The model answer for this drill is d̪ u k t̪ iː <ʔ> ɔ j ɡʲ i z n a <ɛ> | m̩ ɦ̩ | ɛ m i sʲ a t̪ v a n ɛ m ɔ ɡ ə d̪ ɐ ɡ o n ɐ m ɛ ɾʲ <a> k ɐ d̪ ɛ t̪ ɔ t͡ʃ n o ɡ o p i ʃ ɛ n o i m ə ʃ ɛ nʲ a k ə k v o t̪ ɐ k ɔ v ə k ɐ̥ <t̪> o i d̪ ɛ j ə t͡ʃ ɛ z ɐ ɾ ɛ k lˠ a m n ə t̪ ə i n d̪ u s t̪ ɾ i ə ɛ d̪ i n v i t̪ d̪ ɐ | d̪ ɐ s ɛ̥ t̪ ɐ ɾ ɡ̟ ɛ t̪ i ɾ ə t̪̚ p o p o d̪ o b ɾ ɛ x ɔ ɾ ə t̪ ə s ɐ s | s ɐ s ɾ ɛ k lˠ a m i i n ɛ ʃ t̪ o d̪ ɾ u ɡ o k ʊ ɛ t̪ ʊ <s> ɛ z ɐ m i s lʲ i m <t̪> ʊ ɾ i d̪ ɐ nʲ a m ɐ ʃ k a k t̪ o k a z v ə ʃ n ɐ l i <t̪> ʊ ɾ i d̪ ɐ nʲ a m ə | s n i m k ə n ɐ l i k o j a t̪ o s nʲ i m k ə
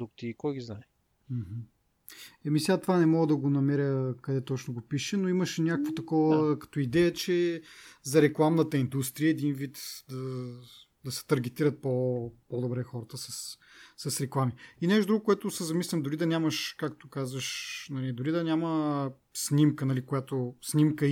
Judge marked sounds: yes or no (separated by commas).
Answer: no, yes, no, yes, yes, no, no